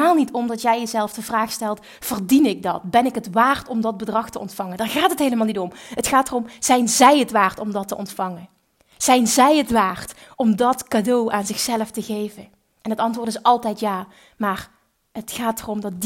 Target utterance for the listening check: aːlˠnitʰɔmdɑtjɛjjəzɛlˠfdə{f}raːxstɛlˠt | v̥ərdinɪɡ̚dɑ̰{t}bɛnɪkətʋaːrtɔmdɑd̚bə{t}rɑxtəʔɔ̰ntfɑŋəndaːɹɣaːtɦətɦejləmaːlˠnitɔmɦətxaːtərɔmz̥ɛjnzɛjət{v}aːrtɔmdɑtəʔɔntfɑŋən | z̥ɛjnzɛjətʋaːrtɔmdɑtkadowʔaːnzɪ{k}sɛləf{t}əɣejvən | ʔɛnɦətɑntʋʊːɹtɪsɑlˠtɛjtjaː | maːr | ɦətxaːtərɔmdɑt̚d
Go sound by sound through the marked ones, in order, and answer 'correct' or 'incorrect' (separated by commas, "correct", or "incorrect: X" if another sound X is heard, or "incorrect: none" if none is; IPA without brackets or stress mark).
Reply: incorrect: v, correct, incorrect: d, incorrect: ʋ, incorrect: x, correct